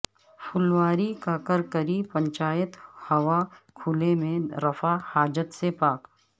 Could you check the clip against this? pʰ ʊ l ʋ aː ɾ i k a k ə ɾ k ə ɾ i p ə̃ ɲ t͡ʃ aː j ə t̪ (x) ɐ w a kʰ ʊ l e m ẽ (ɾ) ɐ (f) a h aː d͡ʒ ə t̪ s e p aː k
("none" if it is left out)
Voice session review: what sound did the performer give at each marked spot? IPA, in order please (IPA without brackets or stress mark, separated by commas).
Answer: h, ɾ, f